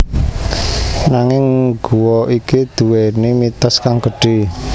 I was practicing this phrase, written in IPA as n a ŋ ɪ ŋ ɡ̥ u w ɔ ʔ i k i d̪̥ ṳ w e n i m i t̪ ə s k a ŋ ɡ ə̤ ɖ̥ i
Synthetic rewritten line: n a ŋ ɪ ŋ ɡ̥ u w ɔ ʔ i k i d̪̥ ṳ w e n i m i t̪ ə s k a ŋ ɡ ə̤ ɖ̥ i